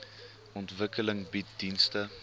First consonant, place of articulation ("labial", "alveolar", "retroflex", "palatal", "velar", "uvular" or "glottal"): alveolar